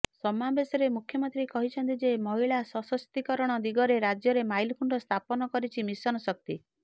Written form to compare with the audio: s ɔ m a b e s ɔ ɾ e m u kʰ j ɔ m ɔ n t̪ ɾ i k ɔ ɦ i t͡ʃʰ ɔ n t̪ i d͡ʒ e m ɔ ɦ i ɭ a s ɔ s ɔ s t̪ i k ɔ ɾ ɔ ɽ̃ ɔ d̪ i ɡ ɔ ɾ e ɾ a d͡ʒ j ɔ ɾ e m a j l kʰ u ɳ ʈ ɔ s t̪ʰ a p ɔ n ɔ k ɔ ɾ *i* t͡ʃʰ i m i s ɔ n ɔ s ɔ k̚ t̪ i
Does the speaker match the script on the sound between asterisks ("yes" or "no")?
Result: yes